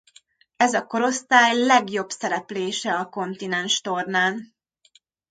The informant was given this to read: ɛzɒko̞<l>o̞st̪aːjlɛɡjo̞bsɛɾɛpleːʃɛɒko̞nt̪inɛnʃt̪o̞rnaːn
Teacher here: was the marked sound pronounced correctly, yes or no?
no